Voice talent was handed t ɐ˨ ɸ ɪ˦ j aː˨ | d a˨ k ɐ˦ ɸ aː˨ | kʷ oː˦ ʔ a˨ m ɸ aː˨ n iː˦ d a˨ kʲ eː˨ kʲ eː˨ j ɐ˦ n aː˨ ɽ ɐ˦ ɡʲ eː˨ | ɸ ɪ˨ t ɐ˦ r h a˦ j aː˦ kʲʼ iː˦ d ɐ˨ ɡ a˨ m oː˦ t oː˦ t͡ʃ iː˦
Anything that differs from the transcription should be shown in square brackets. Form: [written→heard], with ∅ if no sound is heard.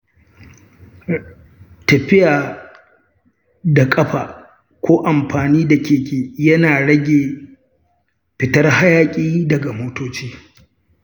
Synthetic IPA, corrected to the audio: t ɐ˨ ɸ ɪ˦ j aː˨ | d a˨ [k→kʼ] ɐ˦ ɸ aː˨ | kʷ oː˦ ʔ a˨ m ɸ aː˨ n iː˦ d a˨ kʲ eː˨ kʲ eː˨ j ɐ˦ n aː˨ ɽ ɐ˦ ɡʲ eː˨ | ɸ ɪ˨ t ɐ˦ r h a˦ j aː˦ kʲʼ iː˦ d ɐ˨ ɡ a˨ m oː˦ t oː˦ t͡ʃ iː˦